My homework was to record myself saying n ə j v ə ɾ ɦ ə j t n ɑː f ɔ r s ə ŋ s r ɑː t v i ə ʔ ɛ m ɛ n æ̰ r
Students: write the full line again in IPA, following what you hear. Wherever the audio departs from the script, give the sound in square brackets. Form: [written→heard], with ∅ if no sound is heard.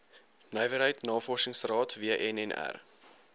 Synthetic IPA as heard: n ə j v ə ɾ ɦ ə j t n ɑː f ɔ r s ə ŋ s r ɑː t v i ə ʔ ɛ [m→n] ɛ n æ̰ r